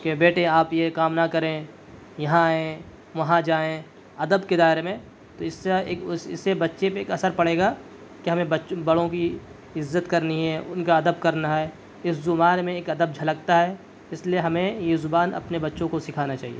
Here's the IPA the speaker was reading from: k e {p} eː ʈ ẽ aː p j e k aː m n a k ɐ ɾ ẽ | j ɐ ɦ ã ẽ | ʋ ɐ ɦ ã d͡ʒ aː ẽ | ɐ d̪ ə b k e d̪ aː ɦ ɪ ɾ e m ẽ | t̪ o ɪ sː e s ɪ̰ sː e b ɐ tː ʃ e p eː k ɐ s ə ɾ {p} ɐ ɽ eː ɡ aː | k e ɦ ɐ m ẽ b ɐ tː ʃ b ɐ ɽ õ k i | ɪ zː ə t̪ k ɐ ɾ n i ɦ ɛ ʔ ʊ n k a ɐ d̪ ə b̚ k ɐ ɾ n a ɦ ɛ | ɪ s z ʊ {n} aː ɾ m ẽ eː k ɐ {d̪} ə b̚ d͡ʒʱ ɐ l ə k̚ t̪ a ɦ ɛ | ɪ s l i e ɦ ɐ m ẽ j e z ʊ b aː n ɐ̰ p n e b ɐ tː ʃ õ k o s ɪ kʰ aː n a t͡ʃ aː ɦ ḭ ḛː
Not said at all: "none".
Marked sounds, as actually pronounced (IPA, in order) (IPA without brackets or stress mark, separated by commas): b, p, m, d̪